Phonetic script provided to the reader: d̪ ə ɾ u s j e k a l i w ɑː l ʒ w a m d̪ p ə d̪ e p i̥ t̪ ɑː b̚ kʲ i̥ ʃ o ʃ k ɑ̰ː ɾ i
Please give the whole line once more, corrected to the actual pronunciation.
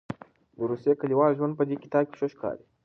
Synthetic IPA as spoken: d̪ ə ɾ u s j e k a l i w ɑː l ʒ w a n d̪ p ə d̪ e k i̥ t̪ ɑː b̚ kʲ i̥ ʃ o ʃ k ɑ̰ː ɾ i